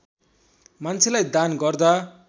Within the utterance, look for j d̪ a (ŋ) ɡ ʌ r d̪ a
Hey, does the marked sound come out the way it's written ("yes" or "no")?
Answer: no